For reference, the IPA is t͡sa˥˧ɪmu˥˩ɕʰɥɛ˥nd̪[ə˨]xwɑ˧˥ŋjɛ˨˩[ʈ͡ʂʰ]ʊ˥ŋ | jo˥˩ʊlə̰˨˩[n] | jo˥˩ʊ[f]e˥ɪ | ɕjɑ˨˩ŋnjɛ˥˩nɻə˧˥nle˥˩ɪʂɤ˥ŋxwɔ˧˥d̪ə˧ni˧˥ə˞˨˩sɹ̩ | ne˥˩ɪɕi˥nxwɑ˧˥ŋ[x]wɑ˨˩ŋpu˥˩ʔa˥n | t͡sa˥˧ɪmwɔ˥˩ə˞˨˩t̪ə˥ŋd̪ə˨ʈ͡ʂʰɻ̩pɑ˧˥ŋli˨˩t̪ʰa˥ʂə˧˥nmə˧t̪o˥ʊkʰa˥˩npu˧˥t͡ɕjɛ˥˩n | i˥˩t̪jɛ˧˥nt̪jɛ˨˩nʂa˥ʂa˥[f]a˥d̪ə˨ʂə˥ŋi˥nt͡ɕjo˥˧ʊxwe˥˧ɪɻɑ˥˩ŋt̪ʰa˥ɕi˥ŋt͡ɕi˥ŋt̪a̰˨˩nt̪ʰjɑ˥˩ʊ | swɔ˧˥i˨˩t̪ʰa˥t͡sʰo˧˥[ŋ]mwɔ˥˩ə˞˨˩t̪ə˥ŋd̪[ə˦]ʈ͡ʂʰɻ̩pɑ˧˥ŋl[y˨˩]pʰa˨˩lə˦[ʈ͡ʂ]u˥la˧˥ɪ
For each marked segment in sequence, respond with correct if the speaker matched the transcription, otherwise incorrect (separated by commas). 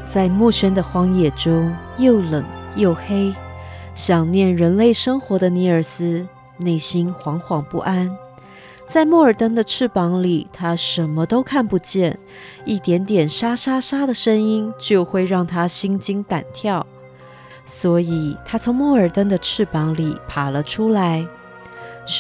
correct, incorrect, incorrect, incorrect, correct, incorrect, correct, incorrect, incorrect, incorrect